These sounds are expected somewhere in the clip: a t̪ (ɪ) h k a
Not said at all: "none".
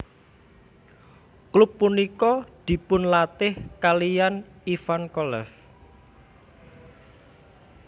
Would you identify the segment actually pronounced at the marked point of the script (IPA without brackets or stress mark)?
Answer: ɪ